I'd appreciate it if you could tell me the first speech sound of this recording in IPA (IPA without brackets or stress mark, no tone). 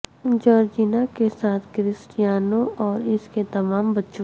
d͡ʒ